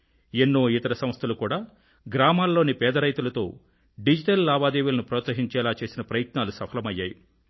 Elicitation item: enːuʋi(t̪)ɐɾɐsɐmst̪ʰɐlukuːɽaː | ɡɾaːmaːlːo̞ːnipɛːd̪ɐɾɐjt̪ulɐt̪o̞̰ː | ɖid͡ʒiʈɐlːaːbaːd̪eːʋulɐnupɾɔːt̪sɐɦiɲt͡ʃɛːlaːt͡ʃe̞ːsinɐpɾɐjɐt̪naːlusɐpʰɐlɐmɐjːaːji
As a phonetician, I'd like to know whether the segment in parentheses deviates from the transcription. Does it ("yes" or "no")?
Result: no